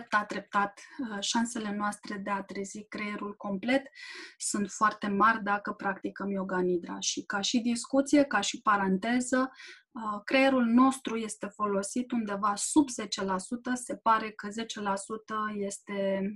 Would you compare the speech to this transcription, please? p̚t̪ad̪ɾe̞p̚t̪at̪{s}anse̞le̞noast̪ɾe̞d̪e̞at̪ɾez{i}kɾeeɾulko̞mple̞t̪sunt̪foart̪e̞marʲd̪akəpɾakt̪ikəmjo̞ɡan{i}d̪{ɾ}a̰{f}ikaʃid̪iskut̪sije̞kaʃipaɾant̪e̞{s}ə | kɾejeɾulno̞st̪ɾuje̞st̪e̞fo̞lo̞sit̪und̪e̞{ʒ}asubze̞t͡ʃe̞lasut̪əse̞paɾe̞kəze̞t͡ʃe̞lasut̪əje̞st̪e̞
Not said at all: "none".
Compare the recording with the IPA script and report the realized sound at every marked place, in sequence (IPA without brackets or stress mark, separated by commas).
ʃ, i, i, ɾ, ʃ, z, v